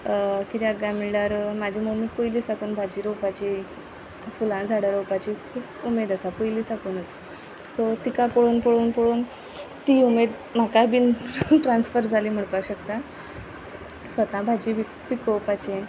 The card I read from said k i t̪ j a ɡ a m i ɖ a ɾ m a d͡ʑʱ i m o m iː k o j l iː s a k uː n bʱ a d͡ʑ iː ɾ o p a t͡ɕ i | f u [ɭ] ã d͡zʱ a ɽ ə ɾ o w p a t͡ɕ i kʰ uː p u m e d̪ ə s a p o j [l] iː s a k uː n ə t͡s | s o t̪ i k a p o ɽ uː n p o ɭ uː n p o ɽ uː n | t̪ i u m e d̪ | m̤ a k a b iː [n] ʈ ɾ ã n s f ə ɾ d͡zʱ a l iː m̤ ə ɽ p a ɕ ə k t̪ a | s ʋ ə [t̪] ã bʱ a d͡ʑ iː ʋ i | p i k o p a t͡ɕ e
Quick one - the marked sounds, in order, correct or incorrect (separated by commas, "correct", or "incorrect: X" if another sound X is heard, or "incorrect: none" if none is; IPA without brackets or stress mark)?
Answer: incorrect: l, correct, correct, correct